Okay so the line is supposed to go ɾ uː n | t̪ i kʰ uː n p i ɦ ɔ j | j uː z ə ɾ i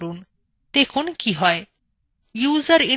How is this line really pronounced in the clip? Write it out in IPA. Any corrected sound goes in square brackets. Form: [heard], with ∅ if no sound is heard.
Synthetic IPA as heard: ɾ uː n | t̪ [e] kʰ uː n [k] i ɦ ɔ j | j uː z ə ɾ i